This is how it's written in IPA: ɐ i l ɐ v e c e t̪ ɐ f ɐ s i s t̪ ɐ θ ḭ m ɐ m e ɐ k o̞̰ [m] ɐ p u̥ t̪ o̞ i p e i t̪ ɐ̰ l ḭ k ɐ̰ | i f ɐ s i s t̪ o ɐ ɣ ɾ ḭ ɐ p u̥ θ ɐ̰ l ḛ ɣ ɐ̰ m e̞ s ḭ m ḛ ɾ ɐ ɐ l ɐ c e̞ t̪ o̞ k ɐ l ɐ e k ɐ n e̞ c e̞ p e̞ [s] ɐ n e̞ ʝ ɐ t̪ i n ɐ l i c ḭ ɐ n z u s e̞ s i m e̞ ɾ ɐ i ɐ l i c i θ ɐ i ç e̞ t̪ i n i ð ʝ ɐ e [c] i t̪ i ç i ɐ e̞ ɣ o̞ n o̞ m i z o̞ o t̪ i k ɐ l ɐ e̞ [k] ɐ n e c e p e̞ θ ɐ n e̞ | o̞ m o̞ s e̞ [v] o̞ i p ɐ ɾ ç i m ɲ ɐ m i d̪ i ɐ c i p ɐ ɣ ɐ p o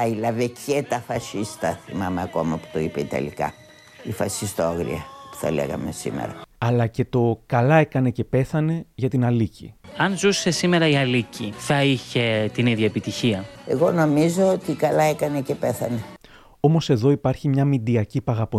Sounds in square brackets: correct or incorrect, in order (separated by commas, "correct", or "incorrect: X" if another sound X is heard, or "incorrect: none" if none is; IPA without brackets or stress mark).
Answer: correct, incorrect: θ, incorrect: p, correct, incorrect: ð